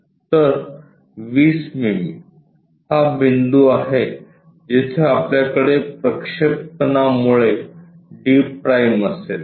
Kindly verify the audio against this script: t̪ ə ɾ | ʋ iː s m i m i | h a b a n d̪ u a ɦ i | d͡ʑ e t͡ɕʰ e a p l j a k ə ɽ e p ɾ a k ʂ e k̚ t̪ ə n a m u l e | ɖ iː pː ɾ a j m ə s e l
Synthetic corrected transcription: t̪ ə ɾ | ʋ iː s m i m i | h a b i n d̪ u a ɦ e | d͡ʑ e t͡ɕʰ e a p l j a k ə ɽ e p ɾ ə k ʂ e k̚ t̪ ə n a m u ɭ e | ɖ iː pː ɾ a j m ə s e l